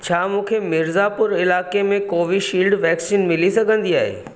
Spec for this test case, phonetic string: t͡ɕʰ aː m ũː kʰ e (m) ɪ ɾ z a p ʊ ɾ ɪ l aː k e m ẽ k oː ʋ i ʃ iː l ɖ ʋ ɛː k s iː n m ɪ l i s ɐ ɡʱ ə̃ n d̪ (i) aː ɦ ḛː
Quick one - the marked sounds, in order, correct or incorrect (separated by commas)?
correct, correct